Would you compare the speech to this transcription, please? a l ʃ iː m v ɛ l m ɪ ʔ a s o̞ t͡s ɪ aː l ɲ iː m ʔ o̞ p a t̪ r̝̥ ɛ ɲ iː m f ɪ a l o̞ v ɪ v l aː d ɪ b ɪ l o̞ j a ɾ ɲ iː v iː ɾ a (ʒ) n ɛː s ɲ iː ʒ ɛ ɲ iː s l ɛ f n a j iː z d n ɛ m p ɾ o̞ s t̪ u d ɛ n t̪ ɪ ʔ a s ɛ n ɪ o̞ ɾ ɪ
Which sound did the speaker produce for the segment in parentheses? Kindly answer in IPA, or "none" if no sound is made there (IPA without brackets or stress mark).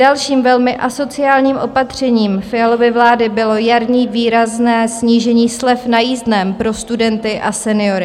z